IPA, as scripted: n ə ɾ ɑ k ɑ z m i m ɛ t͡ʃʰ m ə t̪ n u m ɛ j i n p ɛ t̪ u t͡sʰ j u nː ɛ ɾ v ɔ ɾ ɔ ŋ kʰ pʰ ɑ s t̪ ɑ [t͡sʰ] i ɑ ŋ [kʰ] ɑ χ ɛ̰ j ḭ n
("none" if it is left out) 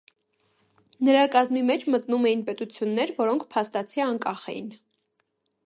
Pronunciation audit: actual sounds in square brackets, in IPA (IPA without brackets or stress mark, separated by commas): t͡sʰ, k